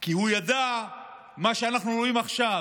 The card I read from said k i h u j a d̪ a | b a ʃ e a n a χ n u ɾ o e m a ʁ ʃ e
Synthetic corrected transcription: k i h u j a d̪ a | m a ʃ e a n a χ n u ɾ o i m a χ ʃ a